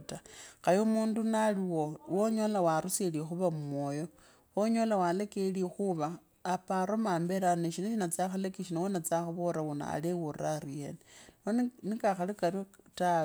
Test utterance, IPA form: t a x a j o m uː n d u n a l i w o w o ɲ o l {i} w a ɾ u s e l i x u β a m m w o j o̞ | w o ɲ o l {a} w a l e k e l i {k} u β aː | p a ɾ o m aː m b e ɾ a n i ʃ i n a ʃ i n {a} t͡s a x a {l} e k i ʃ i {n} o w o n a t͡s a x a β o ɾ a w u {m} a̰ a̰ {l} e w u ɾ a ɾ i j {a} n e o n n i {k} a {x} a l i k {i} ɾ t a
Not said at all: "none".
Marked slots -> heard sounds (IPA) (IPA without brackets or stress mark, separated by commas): a, a, x, a, l, n, n, l, e, k, x, a